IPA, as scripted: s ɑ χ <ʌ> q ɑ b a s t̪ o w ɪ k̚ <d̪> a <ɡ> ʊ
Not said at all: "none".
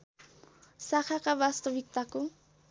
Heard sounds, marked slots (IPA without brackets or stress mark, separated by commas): ɑ, t̪, k